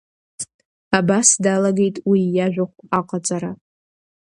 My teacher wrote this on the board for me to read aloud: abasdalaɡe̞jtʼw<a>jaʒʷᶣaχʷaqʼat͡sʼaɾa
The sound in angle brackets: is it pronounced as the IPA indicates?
no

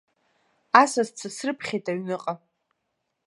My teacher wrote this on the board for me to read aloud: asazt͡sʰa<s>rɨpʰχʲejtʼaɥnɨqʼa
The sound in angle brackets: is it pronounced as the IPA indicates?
yes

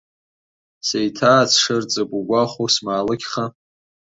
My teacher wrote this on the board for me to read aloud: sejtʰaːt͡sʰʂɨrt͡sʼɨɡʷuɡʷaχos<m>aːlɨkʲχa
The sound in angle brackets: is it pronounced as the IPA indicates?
yes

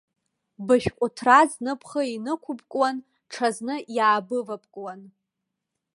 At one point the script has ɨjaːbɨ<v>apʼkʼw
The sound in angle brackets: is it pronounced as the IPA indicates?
yes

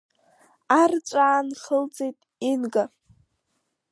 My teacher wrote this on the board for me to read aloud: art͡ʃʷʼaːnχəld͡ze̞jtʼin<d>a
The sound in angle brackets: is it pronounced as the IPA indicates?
no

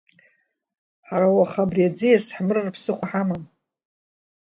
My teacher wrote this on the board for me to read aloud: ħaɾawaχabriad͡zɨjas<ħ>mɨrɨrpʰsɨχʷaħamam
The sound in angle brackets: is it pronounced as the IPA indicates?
yes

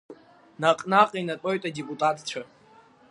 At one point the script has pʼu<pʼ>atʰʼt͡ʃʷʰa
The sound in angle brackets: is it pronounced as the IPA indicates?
no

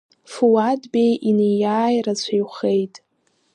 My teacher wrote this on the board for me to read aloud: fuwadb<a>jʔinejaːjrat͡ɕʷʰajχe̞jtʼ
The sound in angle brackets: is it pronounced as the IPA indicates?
no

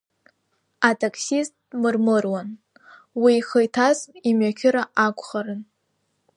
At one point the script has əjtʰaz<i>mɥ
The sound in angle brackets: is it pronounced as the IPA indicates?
yes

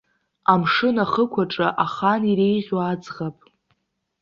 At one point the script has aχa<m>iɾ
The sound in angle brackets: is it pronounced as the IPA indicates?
no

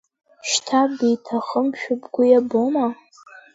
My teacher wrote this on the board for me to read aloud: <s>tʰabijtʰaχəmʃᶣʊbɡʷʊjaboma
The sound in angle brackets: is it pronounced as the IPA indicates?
no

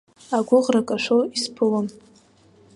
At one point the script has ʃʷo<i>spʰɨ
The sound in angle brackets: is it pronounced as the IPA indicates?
yes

